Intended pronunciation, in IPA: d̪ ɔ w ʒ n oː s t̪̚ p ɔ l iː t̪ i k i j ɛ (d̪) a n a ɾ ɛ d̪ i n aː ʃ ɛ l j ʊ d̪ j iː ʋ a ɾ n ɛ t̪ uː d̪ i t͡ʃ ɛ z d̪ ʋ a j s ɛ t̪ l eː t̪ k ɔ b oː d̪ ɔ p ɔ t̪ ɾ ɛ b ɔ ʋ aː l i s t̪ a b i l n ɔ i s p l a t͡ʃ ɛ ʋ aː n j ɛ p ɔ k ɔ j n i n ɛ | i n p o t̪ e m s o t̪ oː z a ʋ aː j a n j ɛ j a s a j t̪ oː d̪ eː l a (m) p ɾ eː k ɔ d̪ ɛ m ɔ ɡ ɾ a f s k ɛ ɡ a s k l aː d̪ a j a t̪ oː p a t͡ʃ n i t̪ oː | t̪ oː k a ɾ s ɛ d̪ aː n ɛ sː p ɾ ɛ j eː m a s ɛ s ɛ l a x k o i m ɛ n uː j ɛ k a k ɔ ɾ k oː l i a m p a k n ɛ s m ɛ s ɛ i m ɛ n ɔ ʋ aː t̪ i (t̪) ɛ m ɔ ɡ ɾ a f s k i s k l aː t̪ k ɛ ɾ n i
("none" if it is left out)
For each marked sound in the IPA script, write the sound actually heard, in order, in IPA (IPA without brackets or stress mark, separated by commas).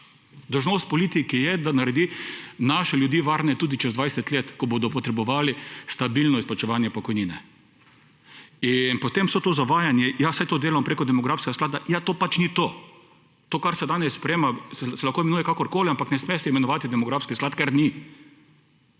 d̪, m, d̪